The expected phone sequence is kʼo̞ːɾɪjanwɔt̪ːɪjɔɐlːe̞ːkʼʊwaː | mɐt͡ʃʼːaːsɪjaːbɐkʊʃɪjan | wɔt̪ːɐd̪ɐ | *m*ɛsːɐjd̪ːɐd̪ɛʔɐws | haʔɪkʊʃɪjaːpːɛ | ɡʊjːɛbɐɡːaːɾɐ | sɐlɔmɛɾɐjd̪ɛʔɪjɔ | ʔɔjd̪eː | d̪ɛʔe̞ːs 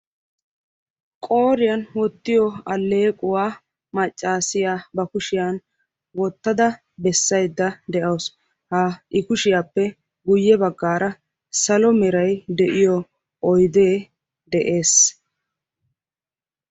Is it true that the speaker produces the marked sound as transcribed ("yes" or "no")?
no